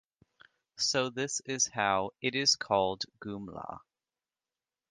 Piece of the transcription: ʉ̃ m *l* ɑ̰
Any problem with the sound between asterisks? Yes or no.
no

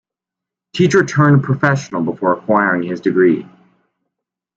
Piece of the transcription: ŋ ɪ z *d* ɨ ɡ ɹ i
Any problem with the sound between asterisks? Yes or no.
no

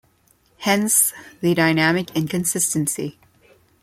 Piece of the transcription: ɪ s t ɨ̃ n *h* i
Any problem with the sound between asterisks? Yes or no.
yes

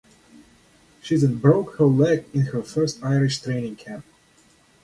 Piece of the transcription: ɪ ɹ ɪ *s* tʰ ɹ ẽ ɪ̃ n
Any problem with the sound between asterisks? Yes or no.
yes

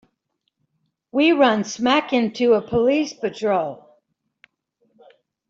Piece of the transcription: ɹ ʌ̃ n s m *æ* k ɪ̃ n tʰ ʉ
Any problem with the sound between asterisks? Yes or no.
no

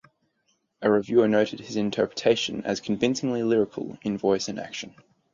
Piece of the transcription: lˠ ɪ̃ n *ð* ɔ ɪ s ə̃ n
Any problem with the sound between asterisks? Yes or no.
yes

